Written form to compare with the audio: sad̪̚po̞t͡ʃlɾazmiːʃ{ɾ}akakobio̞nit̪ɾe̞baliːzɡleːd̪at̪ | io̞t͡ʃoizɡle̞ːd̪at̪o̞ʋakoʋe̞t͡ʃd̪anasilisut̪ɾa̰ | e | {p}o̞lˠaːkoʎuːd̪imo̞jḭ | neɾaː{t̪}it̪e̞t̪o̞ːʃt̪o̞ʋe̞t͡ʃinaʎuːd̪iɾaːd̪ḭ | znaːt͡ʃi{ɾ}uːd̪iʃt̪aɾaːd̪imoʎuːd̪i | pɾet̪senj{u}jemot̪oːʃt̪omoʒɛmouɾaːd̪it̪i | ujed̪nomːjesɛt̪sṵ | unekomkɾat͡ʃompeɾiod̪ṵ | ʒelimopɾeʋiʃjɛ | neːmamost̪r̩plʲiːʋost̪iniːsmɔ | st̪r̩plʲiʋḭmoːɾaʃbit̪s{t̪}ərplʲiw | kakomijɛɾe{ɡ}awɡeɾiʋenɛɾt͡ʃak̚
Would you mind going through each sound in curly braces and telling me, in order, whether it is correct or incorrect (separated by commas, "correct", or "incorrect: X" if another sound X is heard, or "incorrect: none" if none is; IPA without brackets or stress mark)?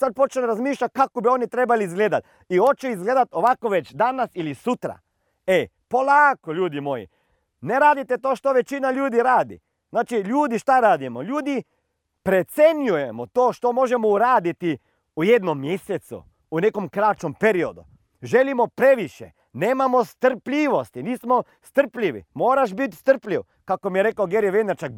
incorrect: ʎ, correct, incorrect: d̪, incorrect: ʎ, correct, correct, incorrect: k